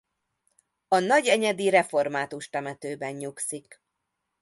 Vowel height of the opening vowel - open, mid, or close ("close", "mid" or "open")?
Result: open